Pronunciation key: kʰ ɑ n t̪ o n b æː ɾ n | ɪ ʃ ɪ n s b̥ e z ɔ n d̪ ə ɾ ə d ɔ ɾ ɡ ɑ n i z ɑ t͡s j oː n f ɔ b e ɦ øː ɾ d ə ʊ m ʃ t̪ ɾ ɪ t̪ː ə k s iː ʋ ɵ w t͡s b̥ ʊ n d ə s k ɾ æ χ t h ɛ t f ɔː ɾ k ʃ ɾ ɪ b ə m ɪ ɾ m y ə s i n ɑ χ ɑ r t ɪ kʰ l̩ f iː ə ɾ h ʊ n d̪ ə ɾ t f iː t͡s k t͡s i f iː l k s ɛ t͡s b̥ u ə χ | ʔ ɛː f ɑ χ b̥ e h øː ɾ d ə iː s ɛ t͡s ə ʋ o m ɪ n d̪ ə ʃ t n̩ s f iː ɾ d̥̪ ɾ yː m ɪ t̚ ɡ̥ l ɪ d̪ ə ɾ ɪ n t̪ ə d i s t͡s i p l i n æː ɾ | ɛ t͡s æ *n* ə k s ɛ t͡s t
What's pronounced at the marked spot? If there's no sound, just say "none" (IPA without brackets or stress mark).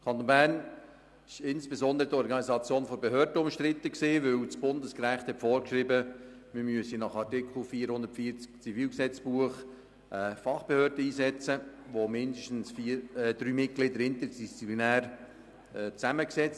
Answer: m